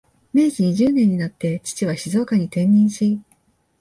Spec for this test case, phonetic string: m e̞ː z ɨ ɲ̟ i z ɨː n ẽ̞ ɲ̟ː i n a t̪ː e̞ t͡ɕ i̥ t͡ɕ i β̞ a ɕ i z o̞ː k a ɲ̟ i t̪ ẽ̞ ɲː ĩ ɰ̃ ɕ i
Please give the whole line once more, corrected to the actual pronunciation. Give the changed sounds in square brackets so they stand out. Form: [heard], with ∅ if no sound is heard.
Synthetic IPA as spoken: m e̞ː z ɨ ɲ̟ i [ʑ] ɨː n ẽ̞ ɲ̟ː i n a t̪ː e̞ t͡ɕ i̥ t͡ɕ i β̞ a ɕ i z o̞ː k a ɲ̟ i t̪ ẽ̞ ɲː ĩ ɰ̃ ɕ i